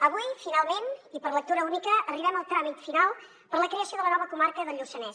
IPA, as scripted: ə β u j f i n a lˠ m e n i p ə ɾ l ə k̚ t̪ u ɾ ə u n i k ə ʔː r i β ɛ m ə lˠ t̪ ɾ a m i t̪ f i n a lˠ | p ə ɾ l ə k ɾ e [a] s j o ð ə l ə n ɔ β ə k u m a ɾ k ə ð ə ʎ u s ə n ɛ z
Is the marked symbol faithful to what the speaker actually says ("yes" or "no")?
no